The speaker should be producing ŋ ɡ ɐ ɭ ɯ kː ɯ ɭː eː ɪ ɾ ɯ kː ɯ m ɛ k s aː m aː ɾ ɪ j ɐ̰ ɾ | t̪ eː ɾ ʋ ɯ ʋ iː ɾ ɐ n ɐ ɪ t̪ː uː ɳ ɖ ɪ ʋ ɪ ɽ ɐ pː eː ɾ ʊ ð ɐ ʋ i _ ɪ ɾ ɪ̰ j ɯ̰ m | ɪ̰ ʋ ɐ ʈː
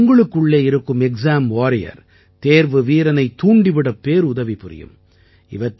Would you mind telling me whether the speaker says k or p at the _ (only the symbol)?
p